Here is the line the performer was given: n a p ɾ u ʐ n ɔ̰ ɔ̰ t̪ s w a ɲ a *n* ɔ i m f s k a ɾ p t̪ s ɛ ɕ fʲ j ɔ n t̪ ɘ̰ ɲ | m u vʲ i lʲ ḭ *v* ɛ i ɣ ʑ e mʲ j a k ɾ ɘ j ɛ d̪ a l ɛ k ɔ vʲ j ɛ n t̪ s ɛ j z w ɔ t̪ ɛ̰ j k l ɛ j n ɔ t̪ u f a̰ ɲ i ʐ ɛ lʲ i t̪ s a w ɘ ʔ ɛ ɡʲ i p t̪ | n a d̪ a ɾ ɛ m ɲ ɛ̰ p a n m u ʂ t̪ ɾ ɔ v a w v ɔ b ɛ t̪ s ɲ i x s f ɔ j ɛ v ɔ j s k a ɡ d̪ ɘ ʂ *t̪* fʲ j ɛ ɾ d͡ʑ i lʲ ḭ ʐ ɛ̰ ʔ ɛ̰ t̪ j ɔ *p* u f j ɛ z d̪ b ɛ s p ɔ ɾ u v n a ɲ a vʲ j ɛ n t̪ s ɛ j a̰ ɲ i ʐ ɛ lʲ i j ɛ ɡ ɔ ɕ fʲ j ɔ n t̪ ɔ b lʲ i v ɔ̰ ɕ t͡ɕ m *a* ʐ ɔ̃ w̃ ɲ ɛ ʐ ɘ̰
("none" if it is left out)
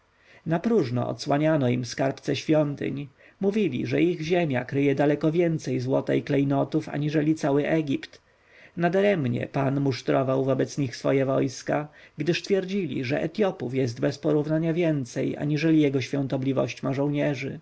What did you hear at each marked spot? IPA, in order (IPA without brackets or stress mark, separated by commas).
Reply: n, ʐ, t̪, p, a